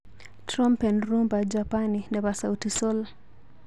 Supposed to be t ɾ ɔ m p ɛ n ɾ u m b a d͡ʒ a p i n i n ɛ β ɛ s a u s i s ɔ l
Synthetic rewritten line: t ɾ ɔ m p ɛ n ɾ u m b a d͡ʒ a p a n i n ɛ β a s a u t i s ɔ l